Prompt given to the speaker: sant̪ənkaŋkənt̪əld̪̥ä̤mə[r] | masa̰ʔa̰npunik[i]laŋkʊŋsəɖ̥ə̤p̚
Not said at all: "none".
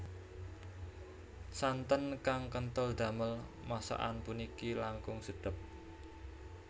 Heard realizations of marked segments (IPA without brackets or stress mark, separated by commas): l, i